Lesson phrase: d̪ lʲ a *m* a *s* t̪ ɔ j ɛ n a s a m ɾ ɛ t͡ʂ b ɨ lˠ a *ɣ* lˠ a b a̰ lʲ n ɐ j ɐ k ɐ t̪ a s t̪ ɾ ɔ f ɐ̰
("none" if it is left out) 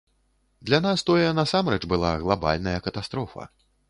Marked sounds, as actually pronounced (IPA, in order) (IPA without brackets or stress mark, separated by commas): n, s, ɣ